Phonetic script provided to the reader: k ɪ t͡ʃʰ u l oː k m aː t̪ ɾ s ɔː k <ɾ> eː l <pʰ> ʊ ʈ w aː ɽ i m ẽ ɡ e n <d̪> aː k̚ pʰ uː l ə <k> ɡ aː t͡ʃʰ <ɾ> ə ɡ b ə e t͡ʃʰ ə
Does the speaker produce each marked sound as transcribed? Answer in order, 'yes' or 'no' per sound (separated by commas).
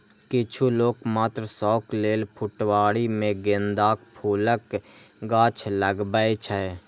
no, yes, yes, yes, no